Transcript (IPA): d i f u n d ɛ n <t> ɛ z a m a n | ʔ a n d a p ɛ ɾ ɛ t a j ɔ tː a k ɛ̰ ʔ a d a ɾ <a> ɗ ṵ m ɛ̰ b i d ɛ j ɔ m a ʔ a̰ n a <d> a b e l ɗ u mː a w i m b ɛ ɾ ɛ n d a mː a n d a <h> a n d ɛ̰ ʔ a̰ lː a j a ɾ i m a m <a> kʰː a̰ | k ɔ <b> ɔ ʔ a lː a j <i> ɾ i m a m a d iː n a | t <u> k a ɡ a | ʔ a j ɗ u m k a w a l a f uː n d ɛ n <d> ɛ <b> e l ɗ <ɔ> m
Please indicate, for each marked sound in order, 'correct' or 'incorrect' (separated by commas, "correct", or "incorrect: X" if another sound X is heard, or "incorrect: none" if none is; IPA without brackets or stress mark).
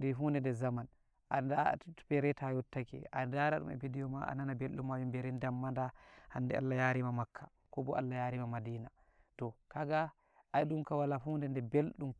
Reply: incorrect: d, correct, incorrect: n, correct, correct, correct, incorrect: a, incorrect: ɔ, correct, correct, incorrect: u